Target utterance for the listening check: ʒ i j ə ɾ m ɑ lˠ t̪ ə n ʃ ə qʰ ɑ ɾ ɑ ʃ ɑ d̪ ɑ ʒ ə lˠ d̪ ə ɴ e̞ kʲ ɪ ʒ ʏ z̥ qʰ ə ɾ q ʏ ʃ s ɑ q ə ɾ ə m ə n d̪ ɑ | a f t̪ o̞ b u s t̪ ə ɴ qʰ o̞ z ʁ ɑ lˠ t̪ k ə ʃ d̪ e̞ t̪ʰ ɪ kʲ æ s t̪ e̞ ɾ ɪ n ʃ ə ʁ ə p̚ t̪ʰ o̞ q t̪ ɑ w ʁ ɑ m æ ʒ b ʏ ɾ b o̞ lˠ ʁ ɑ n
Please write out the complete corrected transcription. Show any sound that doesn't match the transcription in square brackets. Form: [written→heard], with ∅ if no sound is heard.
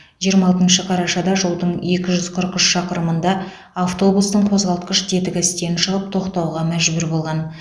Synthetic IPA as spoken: ʒ i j ə ɾ m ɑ lˠ t̪ ə n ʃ ə qʰ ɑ ɾ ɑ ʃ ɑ d̪ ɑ ʒ ə lˠ d̪ ə ɴ e̞ kʲ ɪ ʒ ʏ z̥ qʰ ə ɾ q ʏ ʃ [s→ʃ] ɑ q ə ɾ ə m ə n d̪ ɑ | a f t̪ o̞ b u s t̪ ə ɴ qʰ o̞ z ʁ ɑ lˠ t̪ [k→q] ə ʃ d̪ e̞ [t̪ʰ→t̪] ɪ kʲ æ s t̪ e̞ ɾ ɪ n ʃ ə ʁ ə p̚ t̪ʰ o̞ q t̪ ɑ w ʁ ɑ m æ ʒ b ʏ ɾ b o̞ lˠ ʁ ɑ n